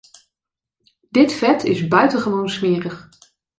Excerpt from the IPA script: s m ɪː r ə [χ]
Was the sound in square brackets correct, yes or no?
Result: yes